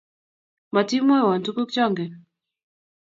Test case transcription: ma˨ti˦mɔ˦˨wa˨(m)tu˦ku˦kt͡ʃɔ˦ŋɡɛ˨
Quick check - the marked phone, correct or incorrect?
incorrect